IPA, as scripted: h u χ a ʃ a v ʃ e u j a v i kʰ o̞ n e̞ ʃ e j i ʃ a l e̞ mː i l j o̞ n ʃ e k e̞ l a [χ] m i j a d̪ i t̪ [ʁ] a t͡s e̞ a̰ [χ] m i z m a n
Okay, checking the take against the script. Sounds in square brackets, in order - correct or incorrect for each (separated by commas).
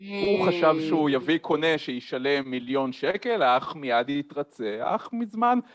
correct, correct, correct